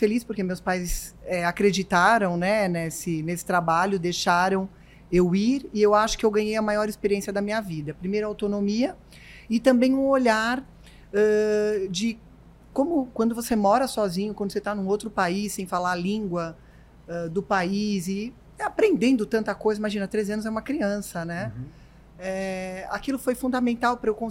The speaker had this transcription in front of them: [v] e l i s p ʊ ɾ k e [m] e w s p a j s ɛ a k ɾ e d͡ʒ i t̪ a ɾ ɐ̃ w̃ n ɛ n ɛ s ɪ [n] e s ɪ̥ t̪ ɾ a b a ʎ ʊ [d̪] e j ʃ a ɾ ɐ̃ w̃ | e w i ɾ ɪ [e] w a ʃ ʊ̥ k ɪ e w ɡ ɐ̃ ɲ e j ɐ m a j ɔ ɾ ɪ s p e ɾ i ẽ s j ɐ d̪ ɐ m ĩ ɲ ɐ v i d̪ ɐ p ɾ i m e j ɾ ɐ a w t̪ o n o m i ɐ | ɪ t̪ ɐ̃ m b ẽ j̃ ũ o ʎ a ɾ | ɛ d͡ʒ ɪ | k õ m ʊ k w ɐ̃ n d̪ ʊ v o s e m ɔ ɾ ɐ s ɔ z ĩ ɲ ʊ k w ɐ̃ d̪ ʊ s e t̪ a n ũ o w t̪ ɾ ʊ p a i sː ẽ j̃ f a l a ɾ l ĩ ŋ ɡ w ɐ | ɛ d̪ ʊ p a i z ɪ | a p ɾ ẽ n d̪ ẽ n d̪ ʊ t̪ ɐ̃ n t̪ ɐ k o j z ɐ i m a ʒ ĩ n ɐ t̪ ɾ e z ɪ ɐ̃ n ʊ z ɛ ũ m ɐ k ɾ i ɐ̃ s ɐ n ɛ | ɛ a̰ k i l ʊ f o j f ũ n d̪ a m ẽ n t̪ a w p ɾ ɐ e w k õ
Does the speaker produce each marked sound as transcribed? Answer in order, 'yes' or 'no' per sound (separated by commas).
no, yes, yes, yes, yes